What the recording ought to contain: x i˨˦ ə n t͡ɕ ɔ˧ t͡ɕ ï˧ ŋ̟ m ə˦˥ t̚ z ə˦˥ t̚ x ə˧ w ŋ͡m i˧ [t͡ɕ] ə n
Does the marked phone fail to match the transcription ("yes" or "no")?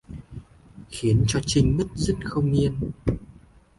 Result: yes